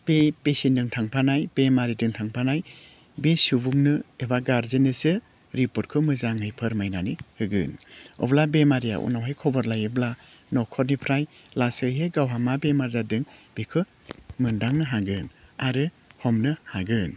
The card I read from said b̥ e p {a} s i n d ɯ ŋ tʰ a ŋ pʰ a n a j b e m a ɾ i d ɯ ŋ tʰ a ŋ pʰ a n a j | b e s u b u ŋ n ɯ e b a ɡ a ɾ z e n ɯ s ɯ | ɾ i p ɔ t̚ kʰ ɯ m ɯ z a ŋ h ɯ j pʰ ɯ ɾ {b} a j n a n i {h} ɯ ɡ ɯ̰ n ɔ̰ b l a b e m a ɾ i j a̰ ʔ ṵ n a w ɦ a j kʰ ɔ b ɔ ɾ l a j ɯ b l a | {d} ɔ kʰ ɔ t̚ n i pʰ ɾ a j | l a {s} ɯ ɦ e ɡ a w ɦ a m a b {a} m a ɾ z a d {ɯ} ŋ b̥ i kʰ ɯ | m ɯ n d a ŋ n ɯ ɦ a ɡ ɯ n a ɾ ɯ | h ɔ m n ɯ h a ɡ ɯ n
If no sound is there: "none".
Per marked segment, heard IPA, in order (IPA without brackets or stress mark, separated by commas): e, m, h, n, s, e, ɯ